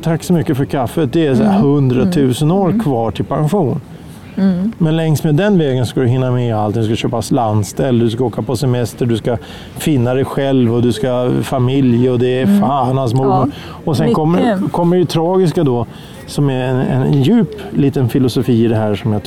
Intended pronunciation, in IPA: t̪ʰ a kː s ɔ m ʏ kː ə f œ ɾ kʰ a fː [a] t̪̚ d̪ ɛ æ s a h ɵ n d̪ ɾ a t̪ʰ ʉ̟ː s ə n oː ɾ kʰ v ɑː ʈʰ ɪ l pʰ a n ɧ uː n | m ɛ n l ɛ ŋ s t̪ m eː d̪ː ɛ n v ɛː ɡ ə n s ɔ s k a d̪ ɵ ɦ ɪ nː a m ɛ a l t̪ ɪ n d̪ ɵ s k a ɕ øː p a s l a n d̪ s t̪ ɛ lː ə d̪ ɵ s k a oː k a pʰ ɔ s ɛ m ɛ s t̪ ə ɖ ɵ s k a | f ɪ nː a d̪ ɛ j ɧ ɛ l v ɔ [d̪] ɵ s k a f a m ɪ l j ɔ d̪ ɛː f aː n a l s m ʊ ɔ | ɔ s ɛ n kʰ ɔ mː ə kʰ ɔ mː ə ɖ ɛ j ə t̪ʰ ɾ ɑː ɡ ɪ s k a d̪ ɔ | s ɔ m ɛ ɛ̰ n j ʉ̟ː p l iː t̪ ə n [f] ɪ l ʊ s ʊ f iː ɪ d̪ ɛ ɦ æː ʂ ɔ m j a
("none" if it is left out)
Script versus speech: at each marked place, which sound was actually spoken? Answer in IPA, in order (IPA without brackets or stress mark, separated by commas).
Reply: ə, d̪, f